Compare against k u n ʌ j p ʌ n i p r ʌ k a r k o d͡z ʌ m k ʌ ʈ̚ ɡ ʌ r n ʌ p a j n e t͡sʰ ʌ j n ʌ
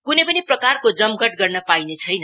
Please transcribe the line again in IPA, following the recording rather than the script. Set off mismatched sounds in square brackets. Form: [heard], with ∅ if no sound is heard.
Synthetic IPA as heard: k u n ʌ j p ʌ n i p r ʌ k a r k o d͡z ʌ m [ɡ] ʌ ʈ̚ ɡ ʌ r n ʌ p a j n e t͡sʰ ʌ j n ʌ